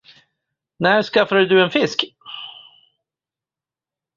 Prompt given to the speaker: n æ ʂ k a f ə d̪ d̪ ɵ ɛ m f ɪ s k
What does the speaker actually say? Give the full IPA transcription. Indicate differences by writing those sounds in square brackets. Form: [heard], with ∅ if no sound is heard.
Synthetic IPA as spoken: n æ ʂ k a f [a] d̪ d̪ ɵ ɛ [n] f ɪ s k